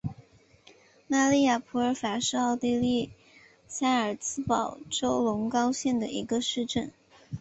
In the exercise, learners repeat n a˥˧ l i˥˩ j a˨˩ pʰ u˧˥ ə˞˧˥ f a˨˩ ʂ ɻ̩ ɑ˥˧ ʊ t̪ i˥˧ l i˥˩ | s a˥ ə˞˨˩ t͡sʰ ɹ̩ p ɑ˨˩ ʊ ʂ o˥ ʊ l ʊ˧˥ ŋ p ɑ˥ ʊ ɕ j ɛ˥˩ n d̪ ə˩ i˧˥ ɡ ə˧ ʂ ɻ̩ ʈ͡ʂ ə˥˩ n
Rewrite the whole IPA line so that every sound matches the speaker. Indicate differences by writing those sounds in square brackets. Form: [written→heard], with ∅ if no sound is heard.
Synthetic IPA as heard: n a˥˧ l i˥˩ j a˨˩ pʰ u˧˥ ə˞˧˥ f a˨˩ ʂ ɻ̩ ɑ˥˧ ʊ t̪ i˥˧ l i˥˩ | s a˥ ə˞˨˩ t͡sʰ ɹ̩ p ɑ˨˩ ʊ [ʂ→ʈ͡ʂ] o˥ ʊ l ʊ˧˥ ŋ [p→k] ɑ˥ ʊ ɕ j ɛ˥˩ n d̪ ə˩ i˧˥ ɡ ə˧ ʂ ɻ̩ ʈ͡ʂ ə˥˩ n